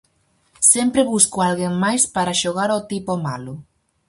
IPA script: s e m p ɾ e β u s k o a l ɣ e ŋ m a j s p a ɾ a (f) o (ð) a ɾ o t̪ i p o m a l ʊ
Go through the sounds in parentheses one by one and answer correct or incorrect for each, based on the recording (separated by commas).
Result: incorrect, incorrect